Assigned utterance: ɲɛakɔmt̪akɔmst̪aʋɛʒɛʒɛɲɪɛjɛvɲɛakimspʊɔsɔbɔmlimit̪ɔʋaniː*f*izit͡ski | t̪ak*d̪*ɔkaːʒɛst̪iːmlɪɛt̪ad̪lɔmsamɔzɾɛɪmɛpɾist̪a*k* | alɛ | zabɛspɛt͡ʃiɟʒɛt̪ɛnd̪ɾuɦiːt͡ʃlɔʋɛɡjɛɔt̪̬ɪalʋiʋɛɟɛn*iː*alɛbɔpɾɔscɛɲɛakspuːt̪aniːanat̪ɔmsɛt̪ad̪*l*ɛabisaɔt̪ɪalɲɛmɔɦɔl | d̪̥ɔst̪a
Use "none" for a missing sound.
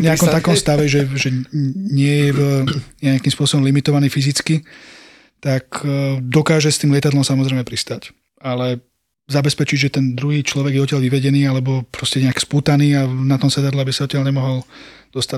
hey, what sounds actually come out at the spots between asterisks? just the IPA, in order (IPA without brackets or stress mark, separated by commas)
f, d̪, c, iː, l